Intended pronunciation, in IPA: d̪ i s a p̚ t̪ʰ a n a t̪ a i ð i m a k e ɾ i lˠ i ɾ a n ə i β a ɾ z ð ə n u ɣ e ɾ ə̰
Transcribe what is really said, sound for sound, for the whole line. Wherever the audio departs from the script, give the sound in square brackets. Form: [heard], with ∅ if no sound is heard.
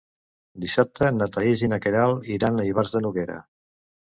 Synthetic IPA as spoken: d̪ i s a p̚ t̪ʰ [ə] n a t̪ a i [z] i [n] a k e ɾ [a] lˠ i ɾ a n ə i β a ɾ z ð ə n u ɣ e ɾ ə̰